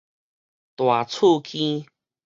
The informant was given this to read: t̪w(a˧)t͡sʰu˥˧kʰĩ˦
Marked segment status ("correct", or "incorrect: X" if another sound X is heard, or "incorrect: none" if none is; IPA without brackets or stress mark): incorrect: a˨˩